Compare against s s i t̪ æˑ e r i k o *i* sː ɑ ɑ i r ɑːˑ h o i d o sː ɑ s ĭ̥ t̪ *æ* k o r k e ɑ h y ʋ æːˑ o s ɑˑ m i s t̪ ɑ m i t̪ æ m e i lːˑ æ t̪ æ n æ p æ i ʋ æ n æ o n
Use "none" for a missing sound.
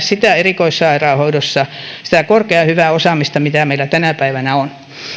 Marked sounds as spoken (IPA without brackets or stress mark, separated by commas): i, æ